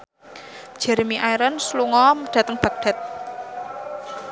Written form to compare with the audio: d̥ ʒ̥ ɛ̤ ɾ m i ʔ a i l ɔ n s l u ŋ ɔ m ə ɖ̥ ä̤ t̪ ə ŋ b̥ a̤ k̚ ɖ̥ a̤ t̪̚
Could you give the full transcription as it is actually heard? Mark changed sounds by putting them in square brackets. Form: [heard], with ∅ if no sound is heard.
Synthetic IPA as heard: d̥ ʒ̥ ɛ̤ ɾ m i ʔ a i [ɾ] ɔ n s l u ŋ ɔ m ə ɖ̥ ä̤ t̪ ə ŋ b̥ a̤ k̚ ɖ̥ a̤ t̪̚